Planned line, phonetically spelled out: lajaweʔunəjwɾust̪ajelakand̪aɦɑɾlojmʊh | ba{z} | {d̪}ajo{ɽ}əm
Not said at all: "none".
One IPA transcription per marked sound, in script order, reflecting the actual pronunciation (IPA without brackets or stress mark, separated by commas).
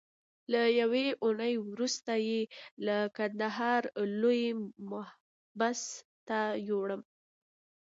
s, t̪, ɽ